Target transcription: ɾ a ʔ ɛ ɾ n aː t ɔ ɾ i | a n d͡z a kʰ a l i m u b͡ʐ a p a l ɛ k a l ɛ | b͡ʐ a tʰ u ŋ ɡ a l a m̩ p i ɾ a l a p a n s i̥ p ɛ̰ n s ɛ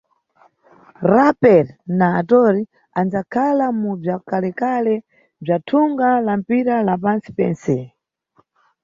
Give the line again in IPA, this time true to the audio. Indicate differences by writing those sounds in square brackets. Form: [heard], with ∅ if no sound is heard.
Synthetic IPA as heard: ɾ a [p] ɛ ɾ n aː t ɔ ɾ i | a n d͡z a kʰ a l [a] m u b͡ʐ a [k] a l ɛ k a l ɛ | b͡ʐ a tʰ u ŋ ɡ a l a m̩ p i ɾ a l a p a n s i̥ p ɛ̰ n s ɛ